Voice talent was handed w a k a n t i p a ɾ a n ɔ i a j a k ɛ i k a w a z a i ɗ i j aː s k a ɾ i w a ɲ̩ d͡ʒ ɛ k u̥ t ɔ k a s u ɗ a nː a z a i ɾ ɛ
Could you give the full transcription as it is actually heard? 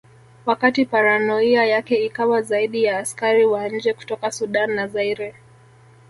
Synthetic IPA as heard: w a k a t i p a ɾ a n ɔ i a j a k ɛ i k a w a z a i ɗ i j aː s k a ɾ i w a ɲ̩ d͡ʒ ɛ k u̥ t ɔ k a s u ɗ a nː a z a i ɾ ɛ